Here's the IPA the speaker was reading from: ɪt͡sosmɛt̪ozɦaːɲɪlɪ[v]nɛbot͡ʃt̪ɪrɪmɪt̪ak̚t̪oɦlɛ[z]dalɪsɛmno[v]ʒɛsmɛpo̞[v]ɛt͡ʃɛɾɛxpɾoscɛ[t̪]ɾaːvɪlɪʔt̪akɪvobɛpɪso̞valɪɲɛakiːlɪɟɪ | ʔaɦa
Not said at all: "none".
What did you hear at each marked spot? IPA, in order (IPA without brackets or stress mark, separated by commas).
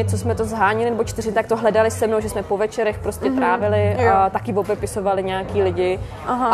none, none, w, v, t̪